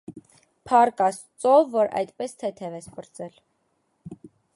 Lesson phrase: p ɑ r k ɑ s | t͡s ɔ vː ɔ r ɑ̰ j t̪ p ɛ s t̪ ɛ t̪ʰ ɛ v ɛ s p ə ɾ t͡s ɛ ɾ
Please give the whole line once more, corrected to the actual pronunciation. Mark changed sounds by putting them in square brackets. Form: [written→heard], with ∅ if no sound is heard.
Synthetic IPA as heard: [p→pʰ] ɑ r k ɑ s | t͡s ɔ vː ɔ [r→ɾ] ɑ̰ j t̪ p ɛ s [t̪→t̪ʰ] ɛ t̪ʰ ɛ v ɛ s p ə ɾ t͡s ɛ [ɾ→l]